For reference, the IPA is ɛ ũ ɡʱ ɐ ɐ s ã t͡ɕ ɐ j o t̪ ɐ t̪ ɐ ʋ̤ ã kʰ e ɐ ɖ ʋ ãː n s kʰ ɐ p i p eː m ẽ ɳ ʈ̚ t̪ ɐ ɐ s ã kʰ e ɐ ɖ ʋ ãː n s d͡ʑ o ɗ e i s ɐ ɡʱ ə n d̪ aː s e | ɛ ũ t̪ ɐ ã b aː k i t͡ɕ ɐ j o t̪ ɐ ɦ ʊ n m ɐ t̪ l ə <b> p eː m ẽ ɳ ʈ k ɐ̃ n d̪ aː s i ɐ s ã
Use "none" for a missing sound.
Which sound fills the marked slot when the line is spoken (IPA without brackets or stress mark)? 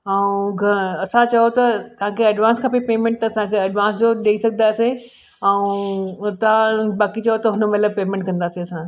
b